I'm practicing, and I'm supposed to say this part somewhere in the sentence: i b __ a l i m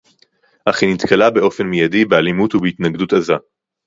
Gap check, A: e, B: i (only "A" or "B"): A